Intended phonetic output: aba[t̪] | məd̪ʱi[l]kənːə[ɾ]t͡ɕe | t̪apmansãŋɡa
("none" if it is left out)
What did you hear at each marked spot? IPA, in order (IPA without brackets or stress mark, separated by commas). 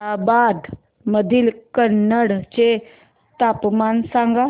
d̪, l, ɽ